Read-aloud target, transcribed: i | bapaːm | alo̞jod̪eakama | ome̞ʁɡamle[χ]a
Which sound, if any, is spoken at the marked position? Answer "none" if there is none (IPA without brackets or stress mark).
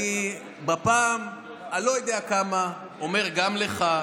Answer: χ